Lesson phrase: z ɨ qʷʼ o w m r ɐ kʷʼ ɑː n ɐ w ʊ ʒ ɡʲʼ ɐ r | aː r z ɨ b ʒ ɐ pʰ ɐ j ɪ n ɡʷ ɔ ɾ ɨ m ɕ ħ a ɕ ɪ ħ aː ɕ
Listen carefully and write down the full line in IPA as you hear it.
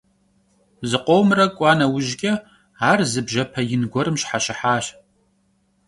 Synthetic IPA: z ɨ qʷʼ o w m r ɐ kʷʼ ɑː n ɐ w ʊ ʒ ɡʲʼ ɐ | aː r z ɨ b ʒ ɐ pʰ ɐ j ɪ n ɡʷ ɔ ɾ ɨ m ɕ ħ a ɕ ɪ ħ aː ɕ